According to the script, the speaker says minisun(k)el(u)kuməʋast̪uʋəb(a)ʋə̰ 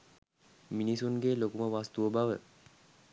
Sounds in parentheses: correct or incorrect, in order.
incorrect, incorrect, correct

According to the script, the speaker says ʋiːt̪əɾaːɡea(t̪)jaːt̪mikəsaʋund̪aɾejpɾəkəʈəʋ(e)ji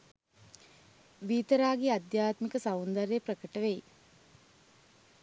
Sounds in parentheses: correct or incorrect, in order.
incorrect, correct

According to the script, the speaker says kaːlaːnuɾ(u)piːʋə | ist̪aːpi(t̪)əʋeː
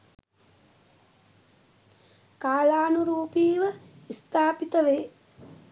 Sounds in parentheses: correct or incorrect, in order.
incorrect, correct

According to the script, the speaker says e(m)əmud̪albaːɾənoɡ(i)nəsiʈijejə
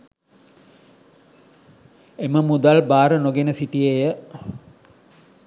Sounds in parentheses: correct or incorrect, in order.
correct, incorrect

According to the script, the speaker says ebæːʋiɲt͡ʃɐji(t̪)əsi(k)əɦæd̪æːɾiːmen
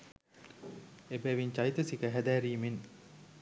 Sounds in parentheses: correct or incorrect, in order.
correct, correct

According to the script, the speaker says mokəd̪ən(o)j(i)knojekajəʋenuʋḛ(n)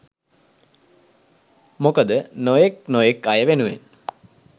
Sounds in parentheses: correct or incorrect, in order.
correct, incorrect, correct

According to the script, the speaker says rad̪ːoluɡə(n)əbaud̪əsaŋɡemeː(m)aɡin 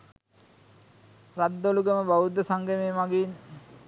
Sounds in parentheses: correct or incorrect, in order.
incorrect, correct

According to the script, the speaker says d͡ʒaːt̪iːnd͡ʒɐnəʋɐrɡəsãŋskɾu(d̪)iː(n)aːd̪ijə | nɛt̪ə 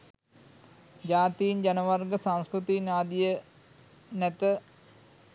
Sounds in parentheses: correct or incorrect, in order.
incorrect, correct

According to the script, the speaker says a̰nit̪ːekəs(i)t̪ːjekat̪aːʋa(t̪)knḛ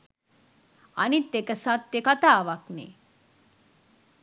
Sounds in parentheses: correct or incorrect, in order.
incorrect, incorrect

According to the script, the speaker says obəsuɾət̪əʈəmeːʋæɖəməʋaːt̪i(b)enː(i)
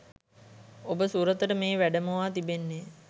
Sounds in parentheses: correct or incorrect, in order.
correct, incorrect

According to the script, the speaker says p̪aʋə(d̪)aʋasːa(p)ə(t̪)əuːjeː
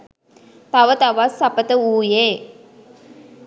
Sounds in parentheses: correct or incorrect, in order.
incorrect, correct, correct

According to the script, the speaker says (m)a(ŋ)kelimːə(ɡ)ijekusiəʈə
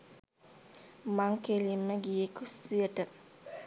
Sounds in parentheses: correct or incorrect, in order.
correct, correct, correct

